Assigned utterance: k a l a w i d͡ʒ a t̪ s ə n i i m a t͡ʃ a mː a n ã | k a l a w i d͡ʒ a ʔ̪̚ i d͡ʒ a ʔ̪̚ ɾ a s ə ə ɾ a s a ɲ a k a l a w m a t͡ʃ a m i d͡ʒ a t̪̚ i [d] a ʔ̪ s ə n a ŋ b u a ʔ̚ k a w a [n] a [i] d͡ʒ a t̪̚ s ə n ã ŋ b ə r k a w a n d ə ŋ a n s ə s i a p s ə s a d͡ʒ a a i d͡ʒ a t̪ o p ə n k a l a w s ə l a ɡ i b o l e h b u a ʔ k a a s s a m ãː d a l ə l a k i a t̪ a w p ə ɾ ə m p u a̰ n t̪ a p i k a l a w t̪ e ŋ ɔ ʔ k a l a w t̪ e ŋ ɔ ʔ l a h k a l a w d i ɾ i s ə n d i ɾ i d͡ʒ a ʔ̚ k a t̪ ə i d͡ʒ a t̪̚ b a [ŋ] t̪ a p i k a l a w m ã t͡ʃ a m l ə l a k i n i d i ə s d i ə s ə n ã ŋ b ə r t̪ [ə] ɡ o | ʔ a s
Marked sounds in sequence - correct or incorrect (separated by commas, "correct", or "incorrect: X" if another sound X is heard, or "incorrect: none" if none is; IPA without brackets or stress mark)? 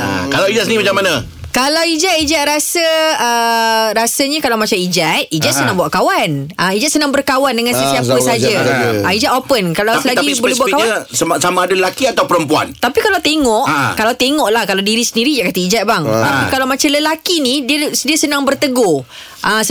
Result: incorrect: d͡ʒ, correct, correct, correct, correct